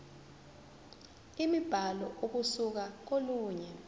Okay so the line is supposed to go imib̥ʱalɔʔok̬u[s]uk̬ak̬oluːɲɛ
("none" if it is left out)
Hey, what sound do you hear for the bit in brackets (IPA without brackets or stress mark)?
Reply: s